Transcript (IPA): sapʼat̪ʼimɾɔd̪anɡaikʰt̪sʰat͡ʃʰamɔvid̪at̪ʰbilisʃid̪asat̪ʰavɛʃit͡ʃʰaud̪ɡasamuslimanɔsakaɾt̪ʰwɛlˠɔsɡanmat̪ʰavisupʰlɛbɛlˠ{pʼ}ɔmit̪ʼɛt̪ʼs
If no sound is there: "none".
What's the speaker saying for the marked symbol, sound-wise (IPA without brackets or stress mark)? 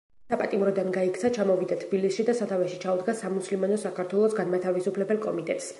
kʼ